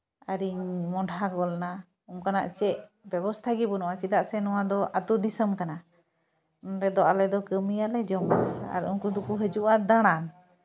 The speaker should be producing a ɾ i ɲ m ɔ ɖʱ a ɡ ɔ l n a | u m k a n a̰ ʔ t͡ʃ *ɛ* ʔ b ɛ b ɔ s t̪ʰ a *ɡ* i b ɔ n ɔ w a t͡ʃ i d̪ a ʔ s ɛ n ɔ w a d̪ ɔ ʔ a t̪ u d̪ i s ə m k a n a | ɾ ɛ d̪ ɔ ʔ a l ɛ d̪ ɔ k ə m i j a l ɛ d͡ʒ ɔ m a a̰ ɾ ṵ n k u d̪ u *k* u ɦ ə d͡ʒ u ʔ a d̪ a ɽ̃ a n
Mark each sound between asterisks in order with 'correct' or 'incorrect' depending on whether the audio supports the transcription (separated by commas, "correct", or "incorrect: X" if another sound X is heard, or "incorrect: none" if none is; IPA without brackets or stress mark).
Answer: correct, correct, correct